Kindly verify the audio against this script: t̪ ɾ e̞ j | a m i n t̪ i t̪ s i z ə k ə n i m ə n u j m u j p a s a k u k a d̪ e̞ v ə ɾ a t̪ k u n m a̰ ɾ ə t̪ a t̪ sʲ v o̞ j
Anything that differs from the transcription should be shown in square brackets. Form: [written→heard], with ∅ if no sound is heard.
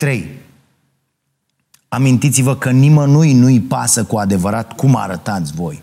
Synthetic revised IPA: t̪ ɾ e̞ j | a m i n t̪ i t̪ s i [z→v] ə k ə n i m ə n u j [m→n] u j p a s [a→ə] k u [k→∅] a d̪ e̞ v ə ɾ a t̪ k u [n→∅] m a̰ ɾ ə t̪ a t̪ sʲ v o̞ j